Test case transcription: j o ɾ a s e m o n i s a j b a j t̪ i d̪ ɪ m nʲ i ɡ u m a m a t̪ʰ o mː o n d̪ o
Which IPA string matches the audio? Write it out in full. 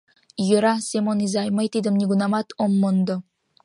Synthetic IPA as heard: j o ɾ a s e m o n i z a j m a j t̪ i d̪ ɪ m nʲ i ɡ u n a m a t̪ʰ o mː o n d̪ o

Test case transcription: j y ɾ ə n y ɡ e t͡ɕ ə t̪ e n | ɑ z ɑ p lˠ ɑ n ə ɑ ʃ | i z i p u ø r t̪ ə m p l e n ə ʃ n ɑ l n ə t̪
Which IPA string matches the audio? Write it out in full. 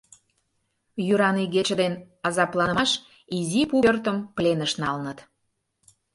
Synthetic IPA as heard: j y ɾ ɑ n i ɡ e t͡ɕ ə d̪ e n | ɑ z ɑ p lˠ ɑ n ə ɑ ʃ | i z i p u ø r t̪ ə m p l e n ə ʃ n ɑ l n ə t̪

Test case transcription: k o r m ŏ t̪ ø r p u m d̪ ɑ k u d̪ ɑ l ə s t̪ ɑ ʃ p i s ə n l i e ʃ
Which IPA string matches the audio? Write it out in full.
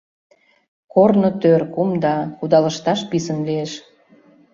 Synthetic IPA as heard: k o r n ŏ t̪ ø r k u m d̪ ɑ k u d̪ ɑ l ə ʃ t̪ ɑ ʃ p i s ə n l i e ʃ

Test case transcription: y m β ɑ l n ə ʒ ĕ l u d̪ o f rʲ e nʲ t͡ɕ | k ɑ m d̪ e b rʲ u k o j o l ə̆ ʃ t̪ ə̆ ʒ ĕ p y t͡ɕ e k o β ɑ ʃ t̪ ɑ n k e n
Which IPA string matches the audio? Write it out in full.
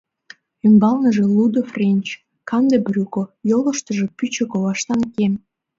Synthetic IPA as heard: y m b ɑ l n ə ʒ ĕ l u d̪ o f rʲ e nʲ t͡ɕ | k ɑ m d̪ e b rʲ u k o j o l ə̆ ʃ t̪ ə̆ ʒ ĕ p y t͡ɕ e k o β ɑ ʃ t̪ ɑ n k e m

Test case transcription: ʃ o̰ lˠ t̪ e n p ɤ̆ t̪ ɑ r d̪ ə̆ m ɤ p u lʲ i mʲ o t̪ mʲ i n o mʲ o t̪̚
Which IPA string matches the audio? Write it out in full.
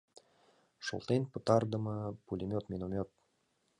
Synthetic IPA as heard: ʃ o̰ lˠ t̪ e n p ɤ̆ t̪ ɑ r d̪ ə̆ m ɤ p u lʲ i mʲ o t̪ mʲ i n o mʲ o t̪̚

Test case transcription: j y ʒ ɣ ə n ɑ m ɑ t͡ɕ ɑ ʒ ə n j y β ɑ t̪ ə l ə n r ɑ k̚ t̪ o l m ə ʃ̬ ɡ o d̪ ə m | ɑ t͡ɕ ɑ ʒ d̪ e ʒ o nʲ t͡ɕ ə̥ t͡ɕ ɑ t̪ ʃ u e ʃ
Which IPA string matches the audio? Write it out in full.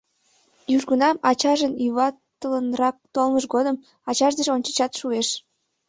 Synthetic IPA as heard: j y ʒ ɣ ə n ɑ m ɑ t͡ɕ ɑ ʒ ə n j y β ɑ t̪ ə l ə n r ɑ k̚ t̪ o l m ə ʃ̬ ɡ o d̪ ə m | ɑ t͡ɕ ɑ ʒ d̪ e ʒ o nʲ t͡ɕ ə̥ t͡ɕ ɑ t̪ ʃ u e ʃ

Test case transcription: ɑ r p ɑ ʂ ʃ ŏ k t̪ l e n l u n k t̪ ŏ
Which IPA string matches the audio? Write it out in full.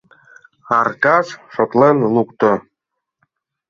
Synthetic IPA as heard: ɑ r k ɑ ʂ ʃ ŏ t̪ l e n l u k t̪ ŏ

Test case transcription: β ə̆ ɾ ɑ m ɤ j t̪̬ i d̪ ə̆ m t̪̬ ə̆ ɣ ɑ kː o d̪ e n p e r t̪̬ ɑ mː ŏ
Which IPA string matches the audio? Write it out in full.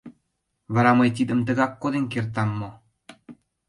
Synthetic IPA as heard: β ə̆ ɾ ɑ m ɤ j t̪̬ i d̪ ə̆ m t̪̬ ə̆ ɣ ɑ kː o d̪ e n k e r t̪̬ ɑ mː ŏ

